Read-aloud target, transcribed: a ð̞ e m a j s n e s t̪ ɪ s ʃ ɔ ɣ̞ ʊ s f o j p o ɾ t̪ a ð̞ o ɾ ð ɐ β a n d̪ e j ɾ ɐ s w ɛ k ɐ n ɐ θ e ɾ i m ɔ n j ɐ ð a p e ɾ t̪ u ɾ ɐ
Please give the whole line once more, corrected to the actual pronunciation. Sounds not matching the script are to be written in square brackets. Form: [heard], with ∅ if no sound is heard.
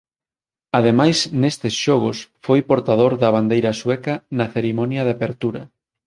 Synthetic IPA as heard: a ð̞ e m a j s n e s t̪ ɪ s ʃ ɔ ɣ̞ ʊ s f o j p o ɾ t̪ a ð̞ o ɾ ð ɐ β a n d̪ e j ɾ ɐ s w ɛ k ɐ n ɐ θ e ɾ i m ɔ n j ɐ ð a p e ɾ t̪ u ɾ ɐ

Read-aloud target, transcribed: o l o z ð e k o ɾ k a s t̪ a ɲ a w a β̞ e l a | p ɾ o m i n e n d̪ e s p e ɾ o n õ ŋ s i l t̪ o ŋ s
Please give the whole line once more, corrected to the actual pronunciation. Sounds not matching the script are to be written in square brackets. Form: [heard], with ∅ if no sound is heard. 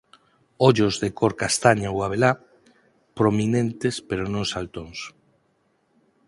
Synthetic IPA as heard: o [ʎ] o z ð e k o ɾ k a s t̪ a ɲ a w a β̞ e l a | p ɾ o m i n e n [t̪] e s p e ɾ o n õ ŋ s [a] l t̪ o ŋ s

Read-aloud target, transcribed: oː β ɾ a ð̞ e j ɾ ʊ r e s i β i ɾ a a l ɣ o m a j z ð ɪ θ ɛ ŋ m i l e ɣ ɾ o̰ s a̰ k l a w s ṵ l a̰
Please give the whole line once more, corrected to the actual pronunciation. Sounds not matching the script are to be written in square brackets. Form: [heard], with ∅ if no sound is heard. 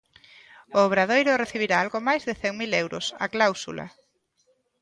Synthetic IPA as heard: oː β ɾ a ð̞ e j ɾ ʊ r e [θ] i β i ɾ a a l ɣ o m a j z ð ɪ θ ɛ ŋ m i l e [w] ɾ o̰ s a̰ k l a w s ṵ l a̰

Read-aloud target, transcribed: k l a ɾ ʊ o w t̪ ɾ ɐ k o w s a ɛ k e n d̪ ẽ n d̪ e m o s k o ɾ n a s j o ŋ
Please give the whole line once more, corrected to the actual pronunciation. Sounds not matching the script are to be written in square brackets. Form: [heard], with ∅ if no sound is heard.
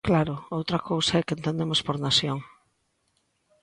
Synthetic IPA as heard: k l a ɾ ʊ o w t̪ ɾ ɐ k o w s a ɛ k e n [t̪] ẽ n d̪ e m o s [p] o ɾ n a s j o ŋ

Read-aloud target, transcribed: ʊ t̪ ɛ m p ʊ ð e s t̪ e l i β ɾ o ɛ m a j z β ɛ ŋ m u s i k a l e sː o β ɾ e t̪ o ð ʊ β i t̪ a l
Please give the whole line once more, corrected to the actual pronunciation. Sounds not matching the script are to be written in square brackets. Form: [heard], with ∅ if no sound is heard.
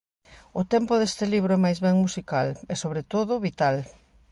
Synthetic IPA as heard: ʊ t̪ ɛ m p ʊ ð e s t̪ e l i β ɾ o ɛ m a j z β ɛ ŋ m u s i k a l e [s] o β ɾ e t̪ o ð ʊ β i t̪ a l

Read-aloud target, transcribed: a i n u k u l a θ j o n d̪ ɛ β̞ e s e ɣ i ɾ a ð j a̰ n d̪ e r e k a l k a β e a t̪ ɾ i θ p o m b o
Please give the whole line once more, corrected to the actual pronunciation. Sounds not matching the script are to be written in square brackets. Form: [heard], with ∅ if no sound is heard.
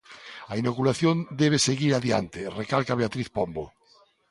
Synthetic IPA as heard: a i n [o] k u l a θ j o n d̪ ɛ β̞ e s e ɣ i ɾ a ð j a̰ n [t̪] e r e k a l k a β e a t̪ ɾ i θ p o m b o

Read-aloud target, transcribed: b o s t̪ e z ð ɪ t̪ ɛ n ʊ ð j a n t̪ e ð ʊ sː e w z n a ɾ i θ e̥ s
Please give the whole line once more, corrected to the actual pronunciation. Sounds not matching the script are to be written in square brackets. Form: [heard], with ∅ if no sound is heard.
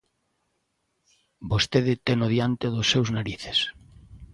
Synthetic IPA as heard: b o s t̪ e [∅] ð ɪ t̪ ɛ n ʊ ð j a n t̪ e ð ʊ sː e w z n a ɾ i θ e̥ s

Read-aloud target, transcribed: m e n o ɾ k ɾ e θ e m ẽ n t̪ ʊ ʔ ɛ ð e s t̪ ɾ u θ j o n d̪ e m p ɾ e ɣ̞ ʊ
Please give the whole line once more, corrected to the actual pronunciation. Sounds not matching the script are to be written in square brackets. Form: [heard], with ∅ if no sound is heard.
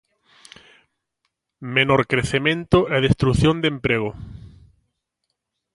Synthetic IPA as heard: m e n o ɾ k ɾ e θ e m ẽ n t̪ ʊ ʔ ɛ ð e s t̪ ɾ u θ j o n d̪ e m p ɾ e ɣ̞ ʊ

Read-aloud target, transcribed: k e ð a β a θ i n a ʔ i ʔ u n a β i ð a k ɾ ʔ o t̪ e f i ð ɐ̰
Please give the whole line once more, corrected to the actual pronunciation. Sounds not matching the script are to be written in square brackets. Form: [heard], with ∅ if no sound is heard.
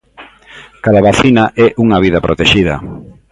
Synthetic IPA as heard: k [a] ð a β a θ i n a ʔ [ɛ] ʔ u [ŋ] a β i ð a [p] ɾ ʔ o t̪ e [ʃ] i ð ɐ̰

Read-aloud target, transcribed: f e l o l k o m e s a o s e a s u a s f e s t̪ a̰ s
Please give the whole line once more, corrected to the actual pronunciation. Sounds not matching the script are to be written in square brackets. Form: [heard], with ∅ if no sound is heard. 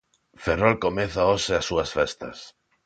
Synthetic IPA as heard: f e [r] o l k o m e [θ] a o s e a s u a s f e s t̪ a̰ s

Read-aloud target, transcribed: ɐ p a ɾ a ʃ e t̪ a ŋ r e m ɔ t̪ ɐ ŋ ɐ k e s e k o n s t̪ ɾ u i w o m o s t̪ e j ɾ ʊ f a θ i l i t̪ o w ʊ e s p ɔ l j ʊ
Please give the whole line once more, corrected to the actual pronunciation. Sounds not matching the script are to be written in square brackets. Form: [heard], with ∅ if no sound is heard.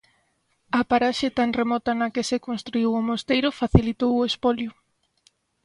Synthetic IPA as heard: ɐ p a ɾ a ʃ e t̪ a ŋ r e m ɔ t̪ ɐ [n] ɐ k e s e k o n s t̪ ɾ u i w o m o s t̪ e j ɾ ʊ f a θ i l i t̪ o w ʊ e s p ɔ l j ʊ

